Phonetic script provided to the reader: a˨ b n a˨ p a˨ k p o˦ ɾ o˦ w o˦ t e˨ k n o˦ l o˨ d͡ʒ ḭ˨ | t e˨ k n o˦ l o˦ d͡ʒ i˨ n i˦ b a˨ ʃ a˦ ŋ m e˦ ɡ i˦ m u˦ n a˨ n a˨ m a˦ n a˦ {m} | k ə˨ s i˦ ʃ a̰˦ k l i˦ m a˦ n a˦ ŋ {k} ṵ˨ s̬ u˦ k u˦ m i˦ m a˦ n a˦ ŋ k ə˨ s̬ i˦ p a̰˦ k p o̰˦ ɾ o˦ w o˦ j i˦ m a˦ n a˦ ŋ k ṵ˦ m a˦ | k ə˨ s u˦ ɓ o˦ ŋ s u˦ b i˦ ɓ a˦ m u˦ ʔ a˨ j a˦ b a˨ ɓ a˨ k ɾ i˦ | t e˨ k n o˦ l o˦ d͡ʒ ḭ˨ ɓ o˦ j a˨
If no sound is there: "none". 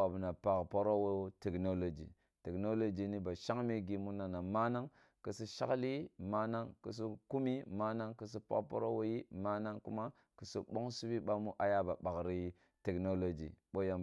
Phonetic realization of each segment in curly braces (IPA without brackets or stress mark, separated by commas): ŋ, k